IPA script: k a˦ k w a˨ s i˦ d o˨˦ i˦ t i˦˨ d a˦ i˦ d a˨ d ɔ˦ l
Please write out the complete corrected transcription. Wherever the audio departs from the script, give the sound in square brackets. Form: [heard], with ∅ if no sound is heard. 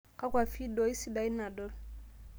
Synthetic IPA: k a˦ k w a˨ [f] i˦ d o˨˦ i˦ [s] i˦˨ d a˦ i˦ [n] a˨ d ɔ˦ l